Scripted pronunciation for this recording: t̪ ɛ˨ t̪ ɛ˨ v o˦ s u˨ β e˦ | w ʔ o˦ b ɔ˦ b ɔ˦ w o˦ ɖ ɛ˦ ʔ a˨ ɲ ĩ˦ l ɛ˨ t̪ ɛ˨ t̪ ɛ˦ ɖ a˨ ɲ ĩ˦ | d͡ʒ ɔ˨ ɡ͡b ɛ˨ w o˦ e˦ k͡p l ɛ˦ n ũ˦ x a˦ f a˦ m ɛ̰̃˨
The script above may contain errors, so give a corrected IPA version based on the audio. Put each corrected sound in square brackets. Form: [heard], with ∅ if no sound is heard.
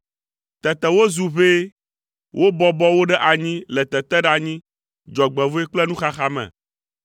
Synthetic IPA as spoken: t̪ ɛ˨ t̪ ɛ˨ [w] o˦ [z] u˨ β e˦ | w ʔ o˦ b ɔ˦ b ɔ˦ w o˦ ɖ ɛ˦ ʔ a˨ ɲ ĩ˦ l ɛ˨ t̪ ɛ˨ t̪ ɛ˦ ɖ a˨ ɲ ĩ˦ | d͡ʒ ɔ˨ ɡ͡b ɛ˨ [v] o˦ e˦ k͡p l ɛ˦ n ũ˦ x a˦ [x] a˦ m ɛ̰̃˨